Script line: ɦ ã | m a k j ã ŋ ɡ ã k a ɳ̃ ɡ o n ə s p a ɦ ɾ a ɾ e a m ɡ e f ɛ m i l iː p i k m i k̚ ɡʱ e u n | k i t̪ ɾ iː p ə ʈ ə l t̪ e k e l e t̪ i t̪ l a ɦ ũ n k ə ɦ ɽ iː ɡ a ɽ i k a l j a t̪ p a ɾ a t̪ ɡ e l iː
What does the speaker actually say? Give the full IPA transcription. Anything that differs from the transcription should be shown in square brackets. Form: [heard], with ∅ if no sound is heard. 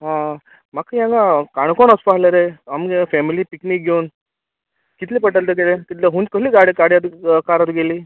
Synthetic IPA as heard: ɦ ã | m a k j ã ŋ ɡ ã k a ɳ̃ [k] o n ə s p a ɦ [l] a ɾ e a m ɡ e f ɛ m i l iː p i k [n] i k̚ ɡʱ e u n | k i t̪ [l] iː p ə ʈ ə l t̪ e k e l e t̪ i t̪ l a ɦ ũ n k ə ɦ [l] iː ɡ a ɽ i k a [ɽ] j a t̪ [k] a ɾ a t̪ ɡ e l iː